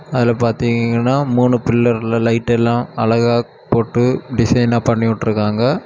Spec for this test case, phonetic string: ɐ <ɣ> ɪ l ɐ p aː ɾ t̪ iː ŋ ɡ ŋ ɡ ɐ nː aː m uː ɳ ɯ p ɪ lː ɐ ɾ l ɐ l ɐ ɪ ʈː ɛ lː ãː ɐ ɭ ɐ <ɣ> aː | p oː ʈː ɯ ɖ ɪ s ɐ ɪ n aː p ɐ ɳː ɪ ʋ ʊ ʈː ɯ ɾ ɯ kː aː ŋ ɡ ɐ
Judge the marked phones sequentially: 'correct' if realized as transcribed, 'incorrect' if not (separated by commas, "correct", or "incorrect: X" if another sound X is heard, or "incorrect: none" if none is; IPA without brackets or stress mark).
incorrect: ð, correct